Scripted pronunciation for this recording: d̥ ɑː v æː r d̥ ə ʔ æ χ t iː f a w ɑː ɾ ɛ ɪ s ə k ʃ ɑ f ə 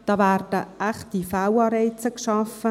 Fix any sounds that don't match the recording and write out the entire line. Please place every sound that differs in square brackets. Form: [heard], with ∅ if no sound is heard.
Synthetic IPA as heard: d̥ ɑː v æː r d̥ ə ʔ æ χ t [i] f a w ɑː ɾ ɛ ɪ [t͡s] ə k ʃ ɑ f ə